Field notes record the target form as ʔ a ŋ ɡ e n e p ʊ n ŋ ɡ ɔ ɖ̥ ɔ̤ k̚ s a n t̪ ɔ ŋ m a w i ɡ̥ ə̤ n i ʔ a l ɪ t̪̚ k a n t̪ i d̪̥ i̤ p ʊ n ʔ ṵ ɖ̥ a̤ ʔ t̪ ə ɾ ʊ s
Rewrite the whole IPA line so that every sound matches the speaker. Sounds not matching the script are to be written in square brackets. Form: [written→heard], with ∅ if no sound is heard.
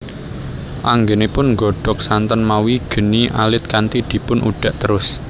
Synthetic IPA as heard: ʔ a ŋ ɡ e n e p ʊ n ŋ ɡ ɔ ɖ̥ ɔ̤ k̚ s a n t̪ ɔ [ŋ→n] m a w i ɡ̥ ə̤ n i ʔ a l ɪ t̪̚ k a n t̪ i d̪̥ i̤ p ʊ n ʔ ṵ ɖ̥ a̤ ʔ t̪ ə ɾ ʊ s